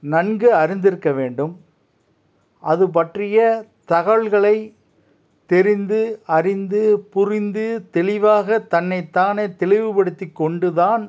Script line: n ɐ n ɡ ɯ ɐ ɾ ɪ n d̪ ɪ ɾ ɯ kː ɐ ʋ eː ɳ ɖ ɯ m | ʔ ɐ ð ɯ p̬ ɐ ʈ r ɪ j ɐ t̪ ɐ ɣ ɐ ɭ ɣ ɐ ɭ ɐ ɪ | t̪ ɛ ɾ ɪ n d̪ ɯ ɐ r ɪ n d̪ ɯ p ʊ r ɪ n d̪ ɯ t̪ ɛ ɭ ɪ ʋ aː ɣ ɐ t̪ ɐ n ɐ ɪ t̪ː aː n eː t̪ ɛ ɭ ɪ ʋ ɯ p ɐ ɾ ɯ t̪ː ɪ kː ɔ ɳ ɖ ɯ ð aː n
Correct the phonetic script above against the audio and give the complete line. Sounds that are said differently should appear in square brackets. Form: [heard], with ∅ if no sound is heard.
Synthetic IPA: n ɐ n ɡ ɯ ɐ ɾ ɪ n d̪ ɪ ɾ ɯ kː ɐ ʋ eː ɳ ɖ ɯ m | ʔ ɐ ð ɯ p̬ ɐ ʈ r ɪ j ɐ t̪ ɐ ɣ ɐ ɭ ɣ ɐ ɭ ɐ ɪ | t̪ ɛ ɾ ɪ n d̪ ɯ ɐ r ɪ n d̪ ɯ p ʊ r ɪ n d̪ ɯ t̪ ɛ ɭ ɪ ʋ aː ɣ ɐ t̪ ɐ [nː] ɐ ɪ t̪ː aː n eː t̪ ɛ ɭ ɪ ʋ ɯ p ɐ [ɽ] ɯ t̪ː ɪ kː ɔ ɳ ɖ ɯ ð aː n